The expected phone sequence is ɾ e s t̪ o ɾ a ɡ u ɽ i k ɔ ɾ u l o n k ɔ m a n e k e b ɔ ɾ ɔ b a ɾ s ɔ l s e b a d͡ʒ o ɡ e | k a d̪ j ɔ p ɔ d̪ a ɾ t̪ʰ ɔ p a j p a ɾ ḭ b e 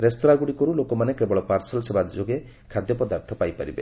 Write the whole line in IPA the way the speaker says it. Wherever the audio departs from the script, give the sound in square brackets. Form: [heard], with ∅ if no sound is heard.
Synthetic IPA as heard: ɾ e s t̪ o ɾ a ɡ u ɽ i k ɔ ɾ u l o [∅] k ɔ m a n e k e b ɔ [ɭ] ɔ [p] a ɾ s ɔ l s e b a d͡ʒ o ɡ e | [kʰ] a d̪ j ɔ p ɔ d̪ a ɾ t̪ʰ ɔ p a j p a ɾ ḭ b e